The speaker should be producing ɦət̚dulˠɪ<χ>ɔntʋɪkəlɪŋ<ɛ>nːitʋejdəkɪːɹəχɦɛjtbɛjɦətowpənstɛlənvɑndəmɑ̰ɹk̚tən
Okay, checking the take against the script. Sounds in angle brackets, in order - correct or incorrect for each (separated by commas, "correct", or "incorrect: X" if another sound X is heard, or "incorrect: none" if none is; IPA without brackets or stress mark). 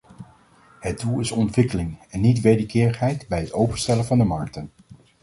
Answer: incorrect: s, correct